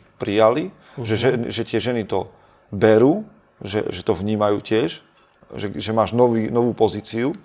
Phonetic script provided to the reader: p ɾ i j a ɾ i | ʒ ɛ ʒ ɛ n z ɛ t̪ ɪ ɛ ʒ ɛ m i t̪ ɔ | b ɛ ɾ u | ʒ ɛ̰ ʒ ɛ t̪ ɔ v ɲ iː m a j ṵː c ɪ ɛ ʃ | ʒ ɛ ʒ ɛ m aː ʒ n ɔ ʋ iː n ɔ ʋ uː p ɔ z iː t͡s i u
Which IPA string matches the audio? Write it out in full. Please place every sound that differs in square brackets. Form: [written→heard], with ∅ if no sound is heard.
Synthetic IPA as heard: p ɾ i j a [ɾ→l] i | ʒ ɛ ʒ ɛ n [z→ʒ] ɛ t̪ ɪ ɛ ʒ ɛ [m→n] i t̪ ɔ | b ɛ ɾ [u→uː] | ʒ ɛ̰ ʒ ɛ t̪ ɔ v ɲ iː m a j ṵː c ɪ ɛ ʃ | ʒ ɛ ʒ ɛ m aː ʒ n ɔ ʋ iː n ɔ ʋ uː p ɔ z iː t͡s i u